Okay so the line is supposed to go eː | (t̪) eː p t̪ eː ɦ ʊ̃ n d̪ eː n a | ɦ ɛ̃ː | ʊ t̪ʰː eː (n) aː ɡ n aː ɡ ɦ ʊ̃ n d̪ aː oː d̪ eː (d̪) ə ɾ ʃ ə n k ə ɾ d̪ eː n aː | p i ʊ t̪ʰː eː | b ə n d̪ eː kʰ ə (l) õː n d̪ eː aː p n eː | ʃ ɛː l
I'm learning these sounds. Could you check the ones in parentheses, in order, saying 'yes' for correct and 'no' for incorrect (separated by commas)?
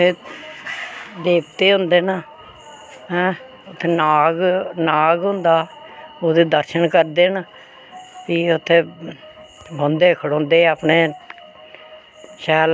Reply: no, yes, yes, no